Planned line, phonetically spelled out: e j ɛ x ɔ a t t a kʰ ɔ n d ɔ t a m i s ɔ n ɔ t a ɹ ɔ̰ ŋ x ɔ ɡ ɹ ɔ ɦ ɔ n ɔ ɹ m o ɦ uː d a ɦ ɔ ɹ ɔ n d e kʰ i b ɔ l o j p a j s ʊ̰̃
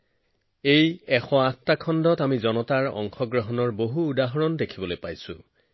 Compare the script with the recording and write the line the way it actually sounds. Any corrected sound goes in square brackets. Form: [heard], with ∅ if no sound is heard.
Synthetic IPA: e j ɛ x ɔ a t t a kʰ ɔ n d ɔ t a m i [z] ɔ n ɔ t a ɹ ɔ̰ ŋ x ɔ ɡ ɹ ɔ ɦ ɔ n ɔ ɹ [b] o ɦ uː d a ɦ ɔ ɹ ɔ n d e kʰ i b ɔ l o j p a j s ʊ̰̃